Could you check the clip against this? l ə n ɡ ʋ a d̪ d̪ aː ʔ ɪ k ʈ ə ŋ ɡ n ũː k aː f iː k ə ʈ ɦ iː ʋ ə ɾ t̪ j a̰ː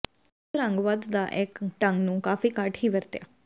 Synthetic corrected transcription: ɾ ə ŋ ɡ ʋ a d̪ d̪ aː ʔ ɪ k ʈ ə ŋ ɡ n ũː k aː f iː k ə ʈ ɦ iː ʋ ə ɾ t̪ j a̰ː

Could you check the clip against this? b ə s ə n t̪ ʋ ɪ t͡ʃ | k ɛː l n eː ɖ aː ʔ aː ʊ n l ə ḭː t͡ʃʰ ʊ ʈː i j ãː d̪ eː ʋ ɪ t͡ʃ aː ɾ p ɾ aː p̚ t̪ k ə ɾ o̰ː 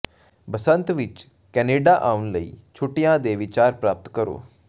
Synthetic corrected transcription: b ə s ə n t̪ ʋ ɪ t͡ʃ | k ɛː n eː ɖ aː ʔ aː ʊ n l ə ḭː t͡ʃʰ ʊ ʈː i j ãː d̪ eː ʋ ɪ t͡ʃ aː ɾ p ɾ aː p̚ t̪ k ə ɾ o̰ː

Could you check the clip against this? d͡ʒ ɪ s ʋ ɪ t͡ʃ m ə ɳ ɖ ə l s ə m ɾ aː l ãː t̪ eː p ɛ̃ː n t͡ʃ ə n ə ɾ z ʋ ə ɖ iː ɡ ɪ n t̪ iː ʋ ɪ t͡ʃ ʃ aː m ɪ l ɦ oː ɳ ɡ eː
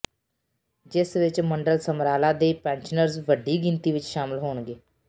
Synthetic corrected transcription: d͡ʒ ɪ s ʋ ɪ t͡ʃ m ə ɳ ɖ ə l s ə m ɾ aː l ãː d̪ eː p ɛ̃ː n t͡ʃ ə n ə ɾ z ʋ ə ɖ iː ɡ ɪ n t̪ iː ʋ ɪ t͡ʃ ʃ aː m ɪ l ɦ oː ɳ ɡ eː

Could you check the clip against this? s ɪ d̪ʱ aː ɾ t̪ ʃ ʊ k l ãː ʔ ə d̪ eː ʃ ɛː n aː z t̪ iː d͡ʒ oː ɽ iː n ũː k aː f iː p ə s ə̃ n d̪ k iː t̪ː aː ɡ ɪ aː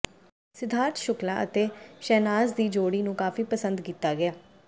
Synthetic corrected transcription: s ɪ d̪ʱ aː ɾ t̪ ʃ ʊ k l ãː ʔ ə t̪ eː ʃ ɛː n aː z d̪ iː d͡ʒ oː ɽ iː n ũː k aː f iː p ə s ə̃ n d̪ k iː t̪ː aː ɡ ɪ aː

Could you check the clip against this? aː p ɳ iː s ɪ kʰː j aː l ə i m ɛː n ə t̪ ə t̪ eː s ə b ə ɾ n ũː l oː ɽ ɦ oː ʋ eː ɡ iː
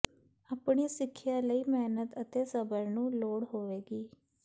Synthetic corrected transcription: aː p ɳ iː s ɪ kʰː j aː l ə iː m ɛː n ə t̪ ə t̪ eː s ə b ə ɾ n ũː l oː ɽ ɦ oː ʋ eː ɡ iː

